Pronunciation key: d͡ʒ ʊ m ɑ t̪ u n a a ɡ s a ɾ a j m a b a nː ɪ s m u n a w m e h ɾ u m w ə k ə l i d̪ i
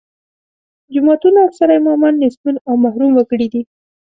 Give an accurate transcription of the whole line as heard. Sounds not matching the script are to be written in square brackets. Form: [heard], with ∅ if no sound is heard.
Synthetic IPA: d͡ʒ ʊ m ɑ t̪ u n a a [k] s a ɾ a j m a [m] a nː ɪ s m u n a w m [a] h ɾ u m w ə k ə [ɽ] i d̪ i